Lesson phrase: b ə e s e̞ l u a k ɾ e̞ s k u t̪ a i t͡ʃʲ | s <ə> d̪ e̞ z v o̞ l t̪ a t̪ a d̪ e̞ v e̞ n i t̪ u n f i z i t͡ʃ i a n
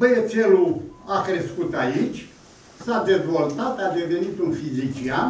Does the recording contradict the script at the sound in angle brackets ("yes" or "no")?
yes